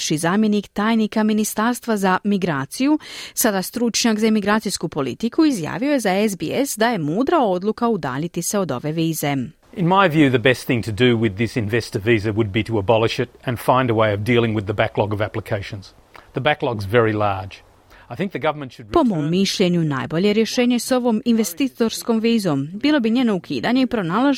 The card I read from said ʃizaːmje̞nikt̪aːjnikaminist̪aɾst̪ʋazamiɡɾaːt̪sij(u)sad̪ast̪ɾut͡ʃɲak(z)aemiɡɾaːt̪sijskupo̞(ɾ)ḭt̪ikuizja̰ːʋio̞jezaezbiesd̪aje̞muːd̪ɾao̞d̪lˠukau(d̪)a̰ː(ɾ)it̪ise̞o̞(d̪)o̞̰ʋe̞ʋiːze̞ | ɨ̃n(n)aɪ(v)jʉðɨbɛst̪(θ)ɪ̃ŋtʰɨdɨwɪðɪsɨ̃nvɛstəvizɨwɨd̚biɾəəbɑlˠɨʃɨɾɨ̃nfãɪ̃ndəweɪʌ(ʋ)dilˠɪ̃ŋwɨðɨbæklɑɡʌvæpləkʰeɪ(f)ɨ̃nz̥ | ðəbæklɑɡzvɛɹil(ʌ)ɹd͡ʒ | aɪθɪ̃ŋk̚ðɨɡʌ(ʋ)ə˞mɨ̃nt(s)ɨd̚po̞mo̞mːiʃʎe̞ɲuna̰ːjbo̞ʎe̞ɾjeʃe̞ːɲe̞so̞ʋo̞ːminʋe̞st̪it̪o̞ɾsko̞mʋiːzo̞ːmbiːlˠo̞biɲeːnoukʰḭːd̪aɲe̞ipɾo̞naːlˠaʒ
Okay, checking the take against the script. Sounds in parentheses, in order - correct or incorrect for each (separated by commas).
correct, correct, incorrect, correct, incorrect, correct, incorrect, correct, correct, incorrect, incorrect, incorrect, incorrect, incorrect